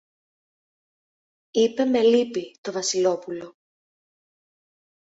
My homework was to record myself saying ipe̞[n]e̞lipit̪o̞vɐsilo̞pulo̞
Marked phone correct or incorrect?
incorrect